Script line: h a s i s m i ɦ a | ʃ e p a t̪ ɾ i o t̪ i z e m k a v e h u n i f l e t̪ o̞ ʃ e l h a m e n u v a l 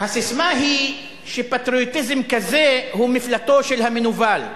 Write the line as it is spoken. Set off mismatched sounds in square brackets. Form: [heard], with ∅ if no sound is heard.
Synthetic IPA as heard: h a s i s m [a] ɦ [i] | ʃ e p a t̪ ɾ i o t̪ i z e m k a [z] e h u [m] i f l [a] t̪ o̞ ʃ e l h a m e n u v a l